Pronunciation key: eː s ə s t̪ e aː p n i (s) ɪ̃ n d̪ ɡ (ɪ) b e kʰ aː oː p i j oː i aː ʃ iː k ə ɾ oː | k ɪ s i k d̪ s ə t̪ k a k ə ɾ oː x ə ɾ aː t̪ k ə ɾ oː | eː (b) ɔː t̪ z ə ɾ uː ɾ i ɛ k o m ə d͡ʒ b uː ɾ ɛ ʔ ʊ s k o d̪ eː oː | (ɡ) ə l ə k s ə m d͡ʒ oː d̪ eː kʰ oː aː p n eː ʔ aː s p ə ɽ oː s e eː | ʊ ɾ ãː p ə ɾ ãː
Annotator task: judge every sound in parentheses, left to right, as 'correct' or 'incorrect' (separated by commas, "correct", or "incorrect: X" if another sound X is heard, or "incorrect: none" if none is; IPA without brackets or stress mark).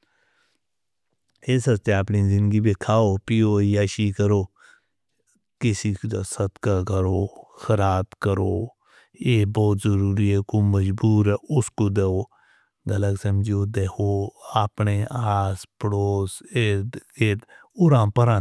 incorrect: z, incorrect: i, correct, correct